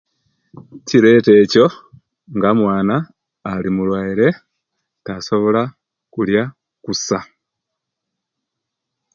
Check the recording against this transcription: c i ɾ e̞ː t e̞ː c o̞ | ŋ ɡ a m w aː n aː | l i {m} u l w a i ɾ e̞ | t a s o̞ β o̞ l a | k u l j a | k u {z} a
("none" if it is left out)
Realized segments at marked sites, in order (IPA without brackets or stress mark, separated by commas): m, s